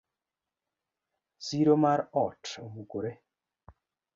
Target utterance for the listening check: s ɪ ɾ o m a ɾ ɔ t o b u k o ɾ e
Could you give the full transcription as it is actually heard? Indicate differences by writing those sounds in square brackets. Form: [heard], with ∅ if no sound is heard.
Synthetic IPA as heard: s [i] ɾ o m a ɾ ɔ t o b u k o ɾ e